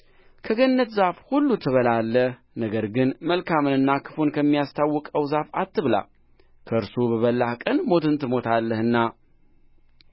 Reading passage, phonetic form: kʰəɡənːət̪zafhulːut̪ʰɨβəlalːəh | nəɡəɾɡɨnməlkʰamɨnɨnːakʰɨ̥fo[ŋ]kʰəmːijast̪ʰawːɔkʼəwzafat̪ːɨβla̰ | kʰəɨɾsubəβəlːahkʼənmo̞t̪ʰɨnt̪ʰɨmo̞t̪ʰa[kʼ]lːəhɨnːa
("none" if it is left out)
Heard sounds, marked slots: n, none

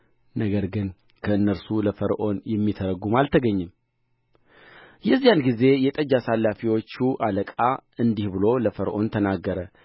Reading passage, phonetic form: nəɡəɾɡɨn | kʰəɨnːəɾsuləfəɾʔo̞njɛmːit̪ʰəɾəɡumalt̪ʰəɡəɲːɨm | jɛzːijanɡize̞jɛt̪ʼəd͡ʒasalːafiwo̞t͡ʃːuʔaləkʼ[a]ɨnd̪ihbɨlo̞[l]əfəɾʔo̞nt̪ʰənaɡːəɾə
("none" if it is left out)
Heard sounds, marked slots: a, l

